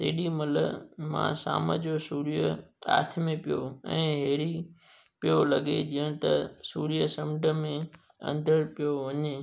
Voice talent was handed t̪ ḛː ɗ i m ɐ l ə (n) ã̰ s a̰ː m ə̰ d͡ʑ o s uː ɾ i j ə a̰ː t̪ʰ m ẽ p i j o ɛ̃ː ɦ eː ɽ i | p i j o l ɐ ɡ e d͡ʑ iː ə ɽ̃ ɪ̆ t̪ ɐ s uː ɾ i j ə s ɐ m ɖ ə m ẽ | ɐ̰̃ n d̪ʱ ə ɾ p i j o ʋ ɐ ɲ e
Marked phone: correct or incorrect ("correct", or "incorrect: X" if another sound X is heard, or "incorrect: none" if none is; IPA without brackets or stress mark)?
incorrect: m